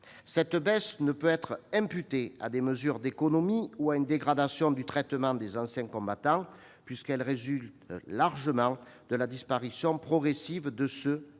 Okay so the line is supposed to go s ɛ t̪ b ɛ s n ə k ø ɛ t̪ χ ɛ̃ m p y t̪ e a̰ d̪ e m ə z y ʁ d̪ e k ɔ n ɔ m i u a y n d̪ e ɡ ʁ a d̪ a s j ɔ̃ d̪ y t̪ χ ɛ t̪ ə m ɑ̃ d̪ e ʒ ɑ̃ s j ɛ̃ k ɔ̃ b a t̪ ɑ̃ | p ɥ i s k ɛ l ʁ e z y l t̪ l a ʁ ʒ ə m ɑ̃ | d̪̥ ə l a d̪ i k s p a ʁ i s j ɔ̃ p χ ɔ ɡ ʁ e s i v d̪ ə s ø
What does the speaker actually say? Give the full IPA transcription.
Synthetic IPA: s ɛ t̪ b ɛ s n ə p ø ɛ t̪ χ ɛ̃ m p y t̪ e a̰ d̪ e m ə z y ʁ d̪ e k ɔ n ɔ m i u a y n d̪ e ɡ ʁ a d̪ a s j ɔ̃ d̪ y t̪ χ ɛ t̪ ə m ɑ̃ d̪ e z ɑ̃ s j ɛ̃ k ɔ̃ b a t̪ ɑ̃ | p ɥ i s k ɛ l ʁ e z y l t̪ l a ʁ ʒ ə m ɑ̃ | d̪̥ ə l a d̪ i s p a ʁ i s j ɔ̃ p χ ɔ ɡ ʁ e s i v d̪ ə s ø